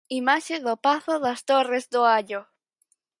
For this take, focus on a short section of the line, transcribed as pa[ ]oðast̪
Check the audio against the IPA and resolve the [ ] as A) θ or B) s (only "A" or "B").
A